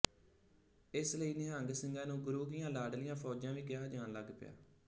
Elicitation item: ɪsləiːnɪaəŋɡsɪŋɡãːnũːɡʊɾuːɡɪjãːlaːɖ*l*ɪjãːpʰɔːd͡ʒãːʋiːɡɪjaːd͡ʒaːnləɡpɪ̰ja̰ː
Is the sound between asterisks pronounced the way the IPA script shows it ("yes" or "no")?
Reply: yes